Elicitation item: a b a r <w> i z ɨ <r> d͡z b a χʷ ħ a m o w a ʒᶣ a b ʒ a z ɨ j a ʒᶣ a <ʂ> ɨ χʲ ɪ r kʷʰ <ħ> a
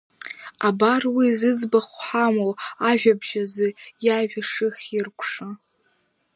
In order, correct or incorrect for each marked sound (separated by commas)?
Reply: correct, incorrect, correct, incorrect